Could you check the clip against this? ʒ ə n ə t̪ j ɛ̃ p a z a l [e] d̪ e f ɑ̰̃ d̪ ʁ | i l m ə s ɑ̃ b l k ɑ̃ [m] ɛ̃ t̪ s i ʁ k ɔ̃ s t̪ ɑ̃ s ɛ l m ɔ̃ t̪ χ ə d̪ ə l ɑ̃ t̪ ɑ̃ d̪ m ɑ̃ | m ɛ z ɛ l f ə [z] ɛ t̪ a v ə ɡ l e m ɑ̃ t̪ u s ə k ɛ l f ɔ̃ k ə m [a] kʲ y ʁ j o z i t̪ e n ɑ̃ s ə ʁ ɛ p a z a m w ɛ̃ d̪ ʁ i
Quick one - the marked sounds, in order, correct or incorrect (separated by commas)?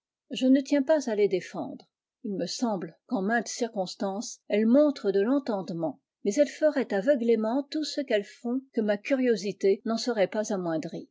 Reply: correct, correct, incorrect, correct